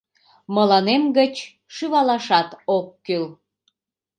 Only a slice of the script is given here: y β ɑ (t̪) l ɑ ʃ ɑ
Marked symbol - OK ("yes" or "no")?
no